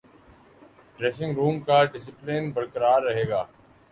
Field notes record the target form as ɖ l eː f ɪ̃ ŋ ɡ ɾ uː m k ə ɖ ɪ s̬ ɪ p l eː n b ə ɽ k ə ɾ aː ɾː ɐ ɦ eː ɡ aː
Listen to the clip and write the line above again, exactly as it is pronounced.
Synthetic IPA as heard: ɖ ɾ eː s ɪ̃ ŋ ɡ ɾ uː m k a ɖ ɪ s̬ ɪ p l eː n b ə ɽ k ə ɾ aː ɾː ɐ ɦ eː ɡ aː